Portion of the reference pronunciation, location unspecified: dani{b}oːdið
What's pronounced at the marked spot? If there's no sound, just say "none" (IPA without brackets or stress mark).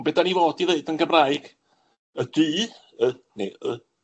v